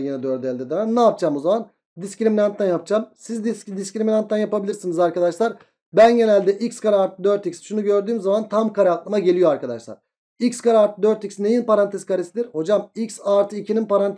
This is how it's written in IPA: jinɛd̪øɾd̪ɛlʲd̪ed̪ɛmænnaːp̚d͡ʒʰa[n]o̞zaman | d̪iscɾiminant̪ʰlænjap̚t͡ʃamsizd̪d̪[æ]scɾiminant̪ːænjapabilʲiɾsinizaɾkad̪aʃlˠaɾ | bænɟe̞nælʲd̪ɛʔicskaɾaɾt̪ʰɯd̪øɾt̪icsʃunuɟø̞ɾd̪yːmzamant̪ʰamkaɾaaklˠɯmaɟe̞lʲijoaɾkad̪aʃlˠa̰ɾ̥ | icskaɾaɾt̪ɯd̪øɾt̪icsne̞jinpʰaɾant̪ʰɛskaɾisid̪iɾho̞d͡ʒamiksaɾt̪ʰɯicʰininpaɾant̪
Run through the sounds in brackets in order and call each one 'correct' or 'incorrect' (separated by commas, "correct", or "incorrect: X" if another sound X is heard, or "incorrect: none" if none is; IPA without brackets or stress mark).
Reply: incorrect: m, incorrect: i